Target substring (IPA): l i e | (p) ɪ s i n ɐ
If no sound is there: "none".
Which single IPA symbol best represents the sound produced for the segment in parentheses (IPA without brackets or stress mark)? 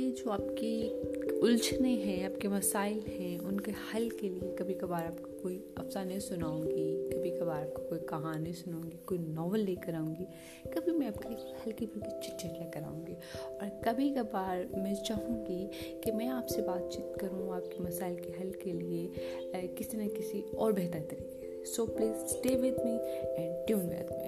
k